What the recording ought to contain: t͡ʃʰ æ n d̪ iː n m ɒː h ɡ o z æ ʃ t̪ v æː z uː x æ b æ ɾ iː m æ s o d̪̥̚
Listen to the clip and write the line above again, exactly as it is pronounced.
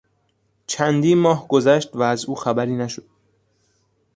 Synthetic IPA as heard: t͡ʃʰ æ n d̪ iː n m ɒː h ɡ o z æ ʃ t̪ v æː z uː x æ b æ ɾ iː n æ ʃ o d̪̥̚